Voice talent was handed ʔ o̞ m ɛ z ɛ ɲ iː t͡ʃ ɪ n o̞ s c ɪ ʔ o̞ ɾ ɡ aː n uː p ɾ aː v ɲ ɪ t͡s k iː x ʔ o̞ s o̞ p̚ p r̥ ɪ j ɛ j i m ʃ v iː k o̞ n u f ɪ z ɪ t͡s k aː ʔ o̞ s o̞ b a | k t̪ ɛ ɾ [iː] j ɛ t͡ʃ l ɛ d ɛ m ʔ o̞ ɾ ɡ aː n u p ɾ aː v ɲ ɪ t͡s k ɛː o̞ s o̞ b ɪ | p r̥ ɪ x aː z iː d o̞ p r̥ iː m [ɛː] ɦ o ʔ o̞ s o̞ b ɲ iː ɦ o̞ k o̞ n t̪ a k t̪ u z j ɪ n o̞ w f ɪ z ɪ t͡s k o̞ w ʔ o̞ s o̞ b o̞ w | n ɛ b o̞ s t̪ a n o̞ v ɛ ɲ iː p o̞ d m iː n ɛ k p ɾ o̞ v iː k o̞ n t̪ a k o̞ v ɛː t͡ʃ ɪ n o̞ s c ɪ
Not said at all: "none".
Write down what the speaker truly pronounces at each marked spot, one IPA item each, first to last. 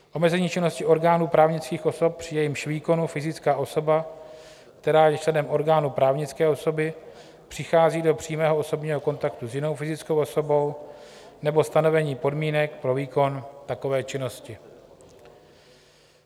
aː, ɛː

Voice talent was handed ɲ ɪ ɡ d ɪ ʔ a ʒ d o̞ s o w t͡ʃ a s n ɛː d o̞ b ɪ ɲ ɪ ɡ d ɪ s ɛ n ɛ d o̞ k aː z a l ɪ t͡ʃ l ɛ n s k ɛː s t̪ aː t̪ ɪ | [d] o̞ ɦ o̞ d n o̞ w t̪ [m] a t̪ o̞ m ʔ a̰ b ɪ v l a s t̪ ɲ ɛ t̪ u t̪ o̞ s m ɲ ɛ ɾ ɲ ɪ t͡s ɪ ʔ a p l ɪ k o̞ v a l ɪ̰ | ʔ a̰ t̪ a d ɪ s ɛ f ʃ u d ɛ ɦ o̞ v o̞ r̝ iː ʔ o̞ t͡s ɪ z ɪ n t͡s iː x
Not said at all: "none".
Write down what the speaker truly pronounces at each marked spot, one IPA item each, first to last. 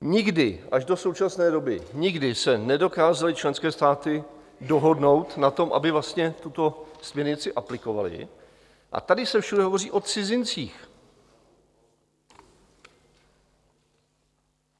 d, n

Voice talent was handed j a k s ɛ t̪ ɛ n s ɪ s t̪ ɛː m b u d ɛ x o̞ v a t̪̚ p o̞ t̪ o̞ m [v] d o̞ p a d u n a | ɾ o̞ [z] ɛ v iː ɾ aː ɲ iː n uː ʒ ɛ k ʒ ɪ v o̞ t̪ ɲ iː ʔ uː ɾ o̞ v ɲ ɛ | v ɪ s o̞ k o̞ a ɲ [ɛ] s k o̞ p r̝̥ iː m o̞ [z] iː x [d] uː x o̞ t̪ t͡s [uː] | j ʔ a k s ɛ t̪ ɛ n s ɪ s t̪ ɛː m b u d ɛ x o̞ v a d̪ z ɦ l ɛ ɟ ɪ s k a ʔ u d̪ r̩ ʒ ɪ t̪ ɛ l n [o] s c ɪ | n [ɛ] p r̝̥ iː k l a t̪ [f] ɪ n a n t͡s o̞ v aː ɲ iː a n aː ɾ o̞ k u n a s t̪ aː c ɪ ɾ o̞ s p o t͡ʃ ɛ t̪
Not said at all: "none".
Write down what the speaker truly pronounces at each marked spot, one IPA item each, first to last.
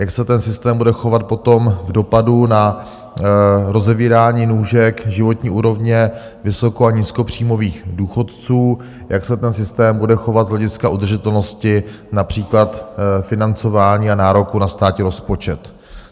v, z, i, v, d, uː, o, a, f

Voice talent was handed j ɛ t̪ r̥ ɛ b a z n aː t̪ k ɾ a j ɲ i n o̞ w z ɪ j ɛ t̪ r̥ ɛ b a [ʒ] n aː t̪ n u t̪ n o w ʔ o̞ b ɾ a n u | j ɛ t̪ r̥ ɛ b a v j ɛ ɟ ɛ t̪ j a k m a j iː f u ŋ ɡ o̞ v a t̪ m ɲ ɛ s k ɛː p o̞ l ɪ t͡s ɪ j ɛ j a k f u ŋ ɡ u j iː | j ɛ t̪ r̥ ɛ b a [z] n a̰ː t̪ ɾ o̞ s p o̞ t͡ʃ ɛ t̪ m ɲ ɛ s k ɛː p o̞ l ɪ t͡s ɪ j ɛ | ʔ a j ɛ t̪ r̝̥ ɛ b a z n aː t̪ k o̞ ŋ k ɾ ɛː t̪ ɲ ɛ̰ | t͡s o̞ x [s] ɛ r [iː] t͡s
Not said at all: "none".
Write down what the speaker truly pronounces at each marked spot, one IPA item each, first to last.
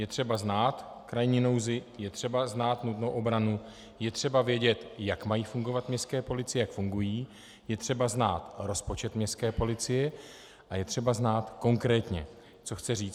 z, z, t͡s, iː

